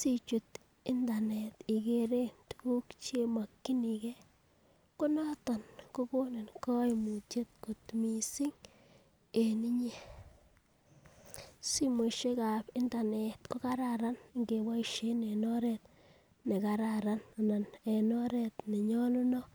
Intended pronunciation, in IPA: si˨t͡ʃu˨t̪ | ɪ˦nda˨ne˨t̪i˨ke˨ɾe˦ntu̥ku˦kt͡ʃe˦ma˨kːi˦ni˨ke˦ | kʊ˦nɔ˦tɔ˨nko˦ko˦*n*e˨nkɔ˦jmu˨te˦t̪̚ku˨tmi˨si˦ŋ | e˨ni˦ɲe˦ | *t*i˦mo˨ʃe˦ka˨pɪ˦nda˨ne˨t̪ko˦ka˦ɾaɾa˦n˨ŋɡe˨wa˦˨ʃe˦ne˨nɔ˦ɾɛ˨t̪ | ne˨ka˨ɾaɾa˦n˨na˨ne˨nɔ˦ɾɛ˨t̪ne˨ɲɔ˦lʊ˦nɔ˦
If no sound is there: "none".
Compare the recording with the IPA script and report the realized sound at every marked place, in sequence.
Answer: n, s

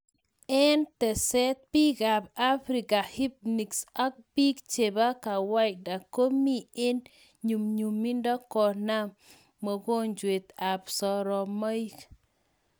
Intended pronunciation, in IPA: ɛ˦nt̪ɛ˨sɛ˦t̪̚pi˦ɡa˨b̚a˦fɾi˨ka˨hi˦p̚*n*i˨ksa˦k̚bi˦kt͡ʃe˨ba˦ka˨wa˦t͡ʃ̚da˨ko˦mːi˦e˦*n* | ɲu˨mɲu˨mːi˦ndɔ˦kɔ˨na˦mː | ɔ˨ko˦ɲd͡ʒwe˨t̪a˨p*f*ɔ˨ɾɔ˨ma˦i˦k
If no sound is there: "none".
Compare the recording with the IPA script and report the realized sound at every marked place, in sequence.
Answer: n, n, s

